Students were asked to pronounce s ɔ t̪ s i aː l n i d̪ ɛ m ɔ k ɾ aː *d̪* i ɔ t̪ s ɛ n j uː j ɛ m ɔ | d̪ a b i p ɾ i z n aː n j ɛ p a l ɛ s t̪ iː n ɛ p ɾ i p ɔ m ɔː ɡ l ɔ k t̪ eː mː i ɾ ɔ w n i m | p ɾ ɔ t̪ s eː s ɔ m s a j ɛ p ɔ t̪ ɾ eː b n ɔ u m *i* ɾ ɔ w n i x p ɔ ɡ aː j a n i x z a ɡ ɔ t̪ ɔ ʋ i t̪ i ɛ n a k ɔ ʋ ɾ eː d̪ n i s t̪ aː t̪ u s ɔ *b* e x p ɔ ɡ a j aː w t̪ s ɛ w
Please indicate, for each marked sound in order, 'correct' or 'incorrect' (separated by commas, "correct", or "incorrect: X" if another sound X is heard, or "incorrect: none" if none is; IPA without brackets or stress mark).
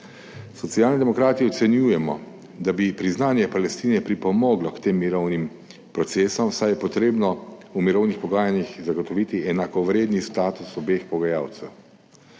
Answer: incorrect: t̪, correct, correct